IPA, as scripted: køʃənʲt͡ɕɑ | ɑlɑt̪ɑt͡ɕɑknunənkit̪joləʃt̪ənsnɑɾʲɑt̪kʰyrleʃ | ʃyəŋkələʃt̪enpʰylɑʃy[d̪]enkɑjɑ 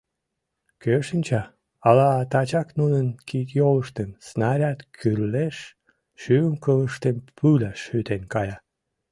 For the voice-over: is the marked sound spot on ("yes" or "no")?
no